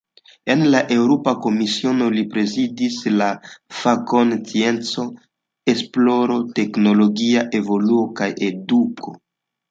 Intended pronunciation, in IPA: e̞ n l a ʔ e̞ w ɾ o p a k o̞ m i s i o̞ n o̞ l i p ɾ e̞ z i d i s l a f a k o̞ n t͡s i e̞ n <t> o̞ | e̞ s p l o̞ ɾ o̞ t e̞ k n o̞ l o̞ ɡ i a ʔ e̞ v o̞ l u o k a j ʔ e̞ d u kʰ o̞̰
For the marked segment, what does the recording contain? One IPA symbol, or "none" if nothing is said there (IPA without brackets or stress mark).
t͡s